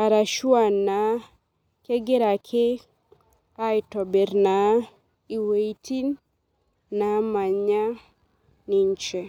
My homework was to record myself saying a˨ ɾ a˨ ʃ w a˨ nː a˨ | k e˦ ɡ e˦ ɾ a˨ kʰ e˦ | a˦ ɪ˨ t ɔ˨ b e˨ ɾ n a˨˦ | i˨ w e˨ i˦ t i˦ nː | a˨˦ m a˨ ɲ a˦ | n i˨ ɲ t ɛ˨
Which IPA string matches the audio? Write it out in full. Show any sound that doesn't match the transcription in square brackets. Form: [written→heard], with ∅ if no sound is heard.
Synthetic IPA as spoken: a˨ ɾ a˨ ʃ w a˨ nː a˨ | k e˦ ɡ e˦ ɾ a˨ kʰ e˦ | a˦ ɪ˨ t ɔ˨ b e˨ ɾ n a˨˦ | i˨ w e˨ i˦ t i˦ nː | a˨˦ m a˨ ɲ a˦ | n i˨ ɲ [t→t͡ʃ] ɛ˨